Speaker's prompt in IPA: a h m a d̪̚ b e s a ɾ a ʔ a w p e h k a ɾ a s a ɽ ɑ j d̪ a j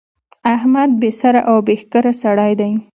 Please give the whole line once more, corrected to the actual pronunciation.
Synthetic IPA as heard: a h m a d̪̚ b e s a ɾ a ʔ a w b e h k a ɾ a s a ɽ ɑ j d̪ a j